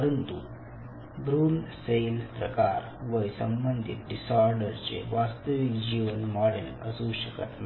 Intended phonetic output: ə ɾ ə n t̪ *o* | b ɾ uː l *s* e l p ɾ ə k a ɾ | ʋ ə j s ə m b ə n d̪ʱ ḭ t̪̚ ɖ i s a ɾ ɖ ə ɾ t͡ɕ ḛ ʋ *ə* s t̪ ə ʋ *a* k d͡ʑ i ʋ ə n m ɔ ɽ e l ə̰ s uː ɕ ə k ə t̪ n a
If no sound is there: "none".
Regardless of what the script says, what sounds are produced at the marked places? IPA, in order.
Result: u, s, a, i

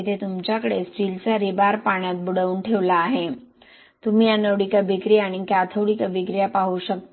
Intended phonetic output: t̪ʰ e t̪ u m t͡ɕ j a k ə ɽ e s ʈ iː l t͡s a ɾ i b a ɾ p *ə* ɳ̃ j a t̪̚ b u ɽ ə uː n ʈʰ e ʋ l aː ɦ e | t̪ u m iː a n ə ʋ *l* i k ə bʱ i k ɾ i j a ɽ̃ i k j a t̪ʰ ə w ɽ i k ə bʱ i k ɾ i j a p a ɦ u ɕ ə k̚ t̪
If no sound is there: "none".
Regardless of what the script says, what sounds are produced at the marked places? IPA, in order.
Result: a, ɽ

